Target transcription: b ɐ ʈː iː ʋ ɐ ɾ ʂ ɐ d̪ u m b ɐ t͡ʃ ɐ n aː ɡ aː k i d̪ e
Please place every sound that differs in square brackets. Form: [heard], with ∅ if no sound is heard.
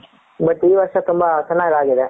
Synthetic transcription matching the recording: b ɐ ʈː iː ʋ ɐ ɾ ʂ ɐ [t̪] u m b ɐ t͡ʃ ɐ [nː] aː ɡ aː [ɡ] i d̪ e